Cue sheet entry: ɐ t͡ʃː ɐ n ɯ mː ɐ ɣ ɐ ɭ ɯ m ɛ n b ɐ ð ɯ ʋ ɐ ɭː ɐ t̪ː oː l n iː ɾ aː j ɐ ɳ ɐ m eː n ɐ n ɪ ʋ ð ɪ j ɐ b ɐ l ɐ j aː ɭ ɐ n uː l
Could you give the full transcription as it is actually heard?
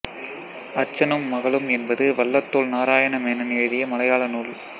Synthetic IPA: ɐ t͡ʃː ɐ n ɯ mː ɐ ɣ ɐ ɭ ɯ m ɛ n b ɐ ð ɯ ʋ ɐ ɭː ɐ t̪ː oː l n aː ɾ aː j ɐ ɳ ɐ m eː n ɐ n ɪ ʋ ð ɪ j ɐ m ɐ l ɐ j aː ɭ ɐ n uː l